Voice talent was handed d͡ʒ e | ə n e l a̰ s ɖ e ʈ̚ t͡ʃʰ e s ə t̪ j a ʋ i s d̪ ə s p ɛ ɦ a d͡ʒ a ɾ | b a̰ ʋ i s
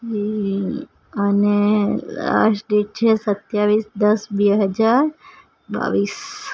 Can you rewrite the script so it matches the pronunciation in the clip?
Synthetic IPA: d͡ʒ i | ə n e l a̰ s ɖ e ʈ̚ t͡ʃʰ e s ə t̪ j a ʋ i s d̪ ə s b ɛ ɦ ə d͡ʒ a ɾ | b a̰ ʋ i s